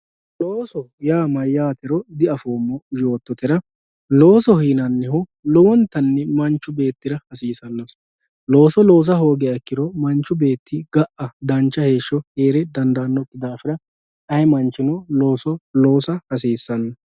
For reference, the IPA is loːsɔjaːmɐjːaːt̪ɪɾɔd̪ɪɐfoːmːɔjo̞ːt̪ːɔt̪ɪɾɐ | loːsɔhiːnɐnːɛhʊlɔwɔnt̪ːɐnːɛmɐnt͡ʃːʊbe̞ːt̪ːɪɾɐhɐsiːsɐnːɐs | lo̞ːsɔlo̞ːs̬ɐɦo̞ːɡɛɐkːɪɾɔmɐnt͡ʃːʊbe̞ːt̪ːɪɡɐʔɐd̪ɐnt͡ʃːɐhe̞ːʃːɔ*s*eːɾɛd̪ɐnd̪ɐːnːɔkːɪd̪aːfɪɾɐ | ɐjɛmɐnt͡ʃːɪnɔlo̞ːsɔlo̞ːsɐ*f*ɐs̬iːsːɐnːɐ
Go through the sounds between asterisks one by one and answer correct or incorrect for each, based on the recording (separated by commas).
incorrect, incorrect